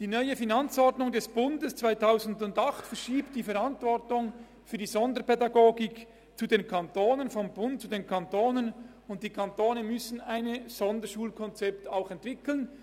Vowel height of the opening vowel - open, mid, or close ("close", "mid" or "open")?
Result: close